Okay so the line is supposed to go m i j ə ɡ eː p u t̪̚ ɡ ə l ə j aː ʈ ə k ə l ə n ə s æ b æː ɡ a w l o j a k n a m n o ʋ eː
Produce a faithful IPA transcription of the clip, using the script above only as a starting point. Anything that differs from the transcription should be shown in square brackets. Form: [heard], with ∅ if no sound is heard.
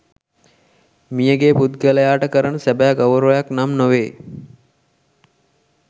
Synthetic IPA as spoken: m i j ə ɡ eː p u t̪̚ ɡ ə l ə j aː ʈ ə k ə [ɾ] ə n ə s æ b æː ɡ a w [ɾ] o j a k n a m n o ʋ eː